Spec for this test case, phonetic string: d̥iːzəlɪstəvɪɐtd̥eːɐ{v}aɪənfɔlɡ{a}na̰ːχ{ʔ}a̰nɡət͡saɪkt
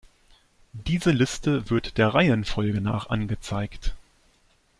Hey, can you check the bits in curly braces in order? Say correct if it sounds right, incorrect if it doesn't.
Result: incorrect: ʁ, incorrect: ə, correct

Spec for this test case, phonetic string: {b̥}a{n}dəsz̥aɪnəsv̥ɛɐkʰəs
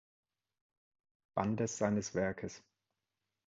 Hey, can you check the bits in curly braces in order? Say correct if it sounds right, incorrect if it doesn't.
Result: correct, correct

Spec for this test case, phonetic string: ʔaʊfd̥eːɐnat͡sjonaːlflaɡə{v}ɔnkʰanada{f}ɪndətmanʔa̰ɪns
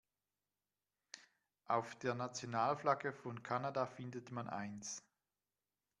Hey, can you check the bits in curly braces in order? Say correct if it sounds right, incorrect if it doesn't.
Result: incorrect: f, correct

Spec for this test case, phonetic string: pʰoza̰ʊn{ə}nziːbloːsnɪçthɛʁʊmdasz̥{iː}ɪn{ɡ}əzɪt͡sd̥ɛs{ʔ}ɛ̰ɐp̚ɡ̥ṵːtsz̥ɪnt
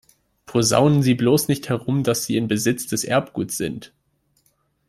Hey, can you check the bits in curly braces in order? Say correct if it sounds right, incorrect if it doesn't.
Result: correct, correct, incorrect: b, correct

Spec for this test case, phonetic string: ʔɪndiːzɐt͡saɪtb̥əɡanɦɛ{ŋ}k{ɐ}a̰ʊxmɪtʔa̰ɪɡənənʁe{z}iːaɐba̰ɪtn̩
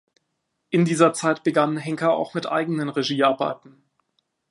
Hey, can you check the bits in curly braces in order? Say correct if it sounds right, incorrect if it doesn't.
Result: correct, correct, incorrect: ʒ

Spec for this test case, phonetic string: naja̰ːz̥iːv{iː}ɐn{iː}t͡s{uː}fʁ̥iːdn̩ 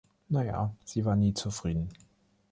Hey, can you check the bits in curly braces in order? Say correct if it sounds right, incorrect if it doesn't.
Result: incorrect: aː, correct, incorrect: u

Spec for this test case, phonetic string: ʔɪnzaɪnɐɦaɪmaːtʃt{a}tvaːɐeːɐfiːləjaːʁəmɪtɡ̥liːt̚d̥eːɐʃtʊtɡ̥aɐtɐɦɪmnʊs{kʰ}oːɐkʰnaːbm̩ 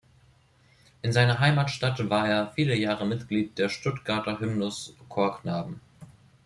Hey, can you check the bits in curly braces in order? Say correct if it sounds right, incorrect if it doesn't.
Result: correct, correct

